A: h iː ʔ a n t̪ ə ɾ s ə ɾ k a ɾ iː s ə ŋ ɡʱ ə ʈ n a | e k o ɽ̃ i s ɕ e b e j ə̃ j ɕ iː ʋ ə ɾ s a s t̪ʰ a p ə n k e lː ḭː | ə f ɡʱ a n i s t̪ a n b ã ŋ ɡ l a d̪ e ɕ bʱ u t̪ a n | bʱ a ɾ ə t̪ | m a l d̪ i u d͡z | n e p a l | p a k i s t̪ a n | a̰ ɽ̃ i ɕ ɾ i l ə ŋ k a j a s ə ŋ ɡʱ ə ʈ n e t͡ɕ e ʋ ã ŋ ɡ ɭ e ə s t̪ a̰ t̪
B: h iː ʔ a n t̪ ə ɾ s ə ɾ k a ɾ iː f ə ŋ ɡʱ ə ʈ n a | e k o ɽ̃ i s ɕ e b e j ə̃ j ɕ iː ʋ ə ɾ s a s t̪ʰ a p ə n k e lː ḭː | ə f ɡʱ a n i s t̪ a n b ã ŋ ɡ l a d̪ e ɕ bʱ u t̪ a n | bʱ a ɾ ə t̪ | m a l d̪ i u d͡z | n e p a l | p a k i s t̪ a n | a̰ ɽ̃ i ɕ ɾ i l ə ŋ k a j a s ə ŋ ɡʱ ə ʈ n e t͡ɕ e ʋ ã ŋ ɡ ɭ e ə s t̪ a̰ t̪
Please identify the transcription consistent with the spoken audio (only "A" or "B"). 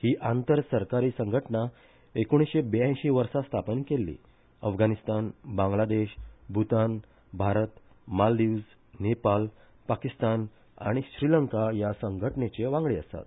A